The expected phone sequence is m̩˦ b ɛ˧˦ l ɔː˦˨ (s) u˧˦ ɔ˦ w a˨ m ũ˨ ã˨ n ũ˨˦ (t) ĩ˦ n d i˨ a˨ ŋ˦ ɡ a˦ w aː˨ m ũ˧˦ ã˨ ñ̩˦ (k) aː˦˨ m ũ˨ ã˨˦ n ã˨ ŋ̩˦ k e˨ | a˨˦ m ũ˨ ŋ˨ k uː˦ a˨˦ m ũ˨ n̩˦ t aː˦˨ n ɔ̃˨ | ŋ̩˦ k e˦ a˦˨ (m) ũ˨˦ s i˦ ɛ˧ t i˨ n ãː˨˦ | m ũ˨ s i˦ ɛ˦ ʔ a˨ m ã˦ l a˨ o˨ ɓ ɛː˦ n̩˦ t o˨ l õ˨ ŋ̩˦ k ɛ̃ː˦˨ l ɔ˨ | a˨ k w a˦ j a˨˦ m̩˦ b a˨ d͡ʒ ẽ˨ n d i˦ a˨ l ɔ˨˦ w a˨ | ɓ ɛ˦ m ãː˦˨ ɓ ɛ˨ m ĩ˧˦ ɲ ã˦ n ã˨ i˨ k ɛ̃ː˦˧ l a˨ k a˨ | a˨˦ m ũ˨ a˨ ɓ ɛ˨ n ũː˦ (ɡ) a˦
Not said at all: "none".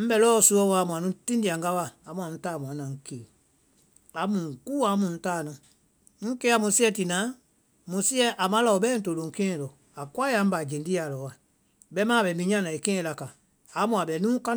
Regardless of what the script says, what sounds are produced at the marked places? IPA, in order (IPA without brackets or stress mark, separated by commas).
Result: s, t, t, m, k